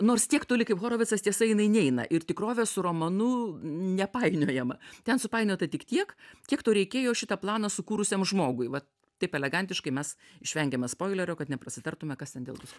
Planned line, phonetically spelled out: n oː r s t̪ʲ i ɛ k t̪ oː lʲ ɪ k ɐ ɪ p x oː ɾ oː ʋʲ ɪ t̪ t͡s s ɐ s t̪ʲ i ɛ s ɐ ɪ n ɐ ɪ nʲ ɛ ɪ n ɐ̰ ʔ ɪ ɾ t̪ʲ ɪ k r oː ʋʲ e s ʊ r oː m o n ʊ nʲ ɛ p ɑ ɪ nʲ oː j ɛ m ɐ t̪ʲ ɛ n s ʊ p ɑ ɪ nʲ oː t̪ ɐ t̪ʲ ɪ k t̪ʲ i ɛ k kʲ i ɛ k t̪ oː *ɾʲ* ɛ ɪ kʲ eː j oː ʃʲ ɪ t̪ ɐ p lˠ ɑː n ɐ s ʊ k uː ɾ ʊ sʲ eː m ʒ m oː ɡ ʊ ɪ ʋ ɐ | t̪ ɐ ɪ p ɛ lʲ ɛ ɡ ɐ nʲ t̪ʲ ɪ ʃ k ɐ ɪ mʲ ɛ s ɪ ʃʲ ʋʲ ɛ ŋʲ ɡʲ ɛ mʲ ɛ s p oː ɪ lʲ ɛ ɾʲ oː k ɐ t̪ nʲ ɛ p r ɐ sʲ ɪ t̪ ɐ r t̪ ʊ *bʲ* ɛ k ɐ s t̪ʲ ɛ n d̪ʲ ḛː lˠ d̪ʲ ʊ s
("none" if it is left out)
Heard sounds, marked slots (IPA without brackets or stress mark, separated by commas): ɾʲ, mʲ